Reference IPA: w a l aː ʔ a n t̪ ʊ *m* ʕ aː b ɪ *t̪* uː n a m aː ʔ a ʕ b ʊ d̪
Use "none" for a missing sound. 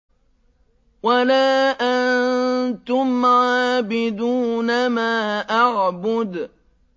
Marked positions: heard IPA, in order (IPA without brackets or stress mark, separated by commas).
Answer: m, d̪